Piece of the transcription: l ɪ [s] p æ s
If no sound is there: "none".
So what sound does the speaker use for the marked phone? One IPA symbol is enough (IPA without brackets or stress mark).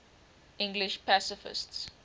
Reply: ʃ